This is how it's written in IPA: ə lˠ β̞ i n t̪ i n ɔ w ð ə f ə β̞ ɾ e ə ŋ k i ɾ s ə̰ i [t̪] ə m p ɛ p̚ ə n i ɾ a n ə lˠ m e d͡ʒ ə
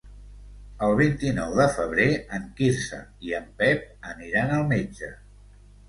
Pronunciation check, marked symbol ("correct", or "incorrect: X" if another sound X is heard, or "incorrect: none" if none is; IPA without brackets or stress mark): incorrect: none